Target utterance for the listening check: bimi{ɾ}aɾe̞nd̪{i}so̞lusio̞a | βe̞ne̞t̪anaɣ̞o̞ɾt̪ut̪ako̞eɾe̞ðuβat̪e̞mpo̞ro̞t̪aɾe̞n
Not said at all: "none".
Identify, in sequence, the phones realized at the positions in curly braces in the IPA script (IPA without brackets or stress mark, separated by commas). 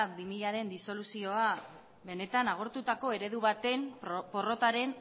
ʎ, i